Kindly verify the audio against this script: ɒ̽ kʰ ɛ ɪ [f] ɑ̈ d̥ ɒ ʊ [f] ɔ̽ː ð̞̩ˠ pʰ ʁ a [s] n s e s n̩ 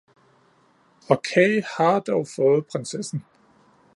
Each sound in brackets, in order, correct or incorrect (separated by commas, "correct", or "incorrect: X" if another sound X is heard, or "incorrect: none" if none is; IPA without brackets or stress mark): incorrect: h, correct, incorrect: none